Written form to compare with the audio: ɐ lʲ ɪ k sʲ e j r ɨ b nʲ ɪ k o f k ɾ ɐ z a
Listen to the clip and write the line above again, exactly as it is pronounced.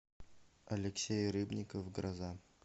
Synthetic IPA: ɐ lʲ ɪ k sʲ e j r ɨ b nʲ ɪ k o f ɡ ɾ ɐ z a